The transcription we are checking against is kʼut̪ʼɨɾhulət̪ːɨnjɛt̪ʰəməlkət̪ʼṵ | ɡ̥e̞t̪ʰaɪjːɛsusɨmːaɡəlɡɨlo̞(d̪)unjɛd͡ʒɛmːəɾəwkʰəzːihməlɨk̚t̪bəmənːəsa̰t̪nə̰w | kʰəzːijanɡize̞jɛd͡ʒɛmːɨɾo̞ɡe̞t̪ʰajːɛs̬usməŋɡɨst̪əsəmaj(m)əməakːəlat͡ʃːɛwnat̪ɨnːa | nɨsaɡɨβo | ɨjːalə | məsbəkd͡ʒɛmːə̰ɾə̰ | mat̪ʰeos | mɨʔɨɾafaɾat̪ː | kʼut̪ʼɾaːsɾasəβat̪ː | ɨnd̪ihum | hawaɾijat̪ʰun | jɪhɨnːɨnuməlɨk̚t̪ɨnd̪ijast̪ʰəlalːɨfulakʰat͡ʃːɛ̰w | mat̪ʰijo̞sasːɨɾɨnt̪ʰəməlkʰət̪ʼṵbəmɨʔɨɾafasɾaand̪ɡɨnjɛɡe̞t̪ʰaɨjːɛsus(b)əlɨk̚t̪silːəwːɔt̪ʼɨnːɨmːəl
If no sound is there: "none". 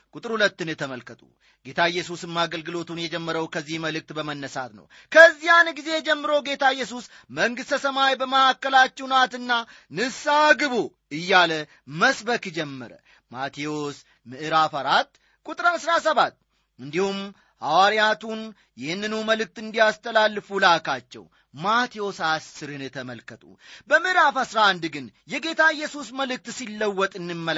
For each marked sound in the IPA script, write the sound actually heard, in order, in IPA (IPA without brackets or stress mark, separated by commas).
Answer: t̪, b, m